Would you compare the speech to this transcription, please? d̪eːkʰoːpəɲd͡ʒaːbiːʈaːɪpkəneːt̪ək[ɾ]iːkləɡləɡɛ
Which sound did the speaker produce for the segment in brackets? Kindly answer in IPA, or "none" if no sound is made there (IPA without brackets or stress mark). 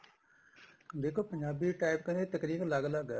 ɾ